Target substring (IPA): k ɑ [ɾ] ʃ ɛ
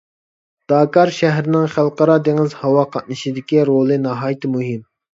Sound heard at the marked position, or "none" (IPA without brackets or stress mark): ɾ